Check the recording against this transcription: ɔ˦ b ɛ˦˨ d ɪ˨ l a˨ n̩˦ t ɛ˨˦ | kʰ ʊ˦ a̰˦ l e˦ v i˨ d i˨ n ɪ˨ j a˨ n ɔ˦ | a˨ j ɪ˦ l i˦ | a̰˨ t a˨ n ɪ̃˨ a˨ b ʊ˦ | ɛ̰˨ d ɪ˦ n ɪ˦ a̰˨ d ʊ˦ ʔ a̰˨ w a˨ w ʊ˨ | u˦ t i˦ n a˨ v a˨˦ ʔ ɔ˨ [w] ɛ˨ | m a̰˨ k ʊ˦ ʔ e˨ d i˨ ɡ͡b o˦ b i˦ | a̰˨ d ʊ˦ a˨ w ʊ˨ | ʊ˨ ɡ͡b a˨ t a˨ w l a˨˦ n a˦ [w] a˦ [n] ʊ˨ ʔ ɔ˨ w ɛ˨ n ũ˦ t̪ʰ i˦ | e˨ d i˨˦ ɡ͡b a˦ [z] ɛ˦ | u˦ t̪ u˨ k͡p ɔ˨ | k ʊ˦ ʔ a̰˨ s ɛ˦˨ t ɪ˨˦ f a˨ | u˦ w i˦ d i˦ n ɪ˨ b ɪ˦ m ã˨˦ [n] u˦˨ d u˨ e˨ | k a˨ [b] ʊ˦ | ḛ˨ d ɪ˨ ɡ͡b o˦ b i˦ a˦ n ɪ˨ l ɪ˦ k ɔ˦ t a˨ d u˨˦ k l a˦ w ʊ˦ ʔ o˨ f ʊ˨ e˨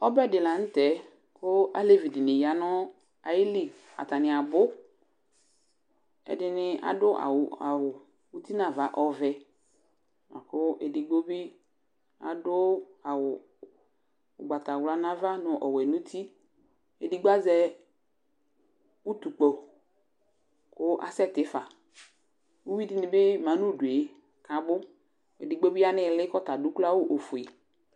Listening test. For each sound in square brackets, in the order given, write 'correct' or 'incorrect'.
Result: incorrect: v, incorrect: v, correct, correct, correct, correct

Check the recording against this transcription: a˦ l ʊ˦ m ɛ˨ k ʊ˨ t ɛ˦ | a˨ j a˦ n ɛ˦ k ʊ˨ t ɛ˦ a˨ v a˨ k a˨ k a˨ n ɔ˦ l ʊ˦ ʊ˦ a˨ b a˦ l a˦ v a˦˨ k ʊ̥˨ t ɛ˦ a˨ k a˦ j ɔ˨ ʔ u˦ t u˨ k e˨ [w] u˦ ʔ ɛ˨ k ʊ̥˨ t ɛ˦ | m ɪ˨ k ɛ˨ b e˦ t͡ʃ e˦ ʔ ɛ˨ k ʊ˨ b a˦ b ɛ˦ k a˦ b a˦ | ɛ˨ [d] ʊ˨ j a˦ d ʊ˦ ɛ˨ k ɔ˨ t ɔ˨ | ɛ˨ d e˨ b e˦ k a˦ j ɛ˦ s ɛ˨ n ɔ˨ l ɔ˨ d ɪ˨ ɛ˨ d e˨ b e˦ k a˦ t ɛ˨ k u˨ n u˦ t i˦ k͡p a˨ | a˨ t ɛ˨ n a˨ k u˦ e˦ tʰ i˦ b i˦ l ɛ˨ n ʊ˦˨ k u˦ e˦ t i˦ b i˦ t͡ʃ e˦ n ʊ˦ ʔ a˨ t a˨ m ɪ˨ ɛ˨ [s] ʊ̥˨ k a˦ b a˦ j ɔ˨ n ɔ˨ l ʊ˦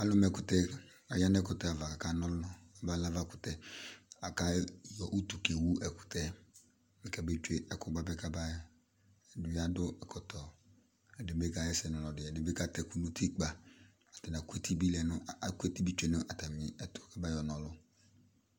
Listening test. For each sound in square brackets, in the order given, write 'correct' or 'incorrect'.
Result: correct, correct, incorrect: t

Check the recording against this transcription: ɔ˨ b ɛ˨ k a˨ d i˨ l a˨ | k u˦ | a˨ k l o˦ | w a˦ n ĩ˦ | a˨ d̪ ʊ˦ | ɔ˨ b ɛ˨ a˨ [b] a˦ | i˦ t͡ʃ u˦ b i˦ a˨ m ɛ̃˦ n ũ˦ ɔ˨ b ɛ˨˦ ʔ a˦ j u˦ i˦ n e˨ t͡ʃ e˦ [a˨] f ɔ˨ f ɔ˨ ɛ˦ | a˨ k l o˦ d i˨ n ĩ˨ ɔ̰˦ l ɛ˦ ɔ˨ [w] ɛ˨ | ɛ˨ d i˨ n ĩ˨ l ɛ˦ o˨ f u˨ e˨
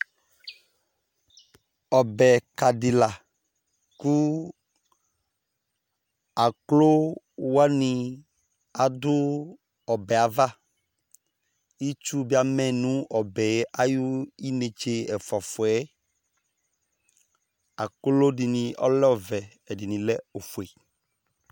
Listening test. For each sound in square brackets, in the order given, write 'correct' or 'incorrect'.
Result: incorrect: v, incorrect: ɛ˨, incorrect: v

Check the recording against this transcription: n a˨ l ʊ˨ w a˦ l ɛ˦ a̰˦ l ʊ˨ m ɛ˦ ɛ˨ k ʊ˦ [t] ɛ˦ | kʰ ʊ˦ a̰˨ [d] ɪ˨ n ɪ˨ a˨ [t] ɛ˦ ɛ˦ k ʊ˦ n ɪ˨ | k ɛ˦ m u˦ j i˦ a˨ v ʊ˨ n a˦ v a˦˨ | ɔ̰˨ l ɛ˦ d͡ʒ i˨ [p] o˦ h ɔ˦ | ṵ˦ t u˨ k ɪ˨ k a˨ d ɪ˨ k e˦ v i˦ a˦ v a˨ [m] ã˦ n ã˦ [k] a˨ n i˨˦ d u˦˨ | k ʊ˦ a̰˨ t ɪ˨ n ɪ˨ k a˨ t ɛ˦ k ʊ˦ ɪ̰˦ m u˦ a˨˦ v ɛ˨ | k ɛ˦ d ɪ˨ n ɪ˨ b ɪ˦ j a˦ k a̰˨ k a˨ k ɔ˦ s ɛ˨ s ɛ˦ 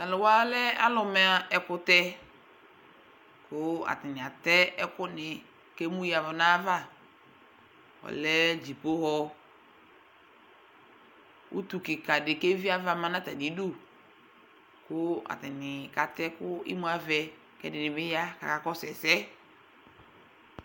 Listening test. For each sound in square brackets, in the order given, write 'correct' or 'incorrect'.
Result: correct, incorrect: t, correct, correct, correct, incorrect: t

